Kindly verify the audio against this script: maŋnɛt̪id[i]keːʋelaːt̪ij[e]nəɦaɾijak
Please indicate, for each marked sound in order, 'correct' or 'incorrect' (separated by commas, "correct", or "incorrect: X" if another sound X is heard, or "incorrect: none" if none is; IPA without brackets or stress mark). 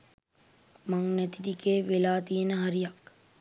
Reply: correct, correct